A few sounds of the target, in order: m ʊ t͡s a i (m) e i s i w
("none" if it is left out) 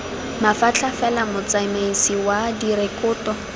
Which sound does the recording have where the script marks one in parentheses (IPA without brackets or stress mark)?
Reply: m